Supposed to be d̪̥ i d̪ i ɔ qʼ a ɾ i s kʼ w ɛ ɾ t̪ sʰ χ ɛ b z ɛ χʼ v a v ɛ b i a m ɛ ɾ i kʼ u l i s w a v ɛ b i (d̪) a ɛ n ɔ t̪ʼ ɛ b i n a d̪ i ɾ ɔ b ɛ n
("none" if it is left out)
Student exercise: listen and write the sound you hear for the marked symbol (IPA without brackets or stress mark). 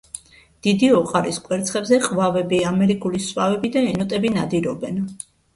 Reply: d̪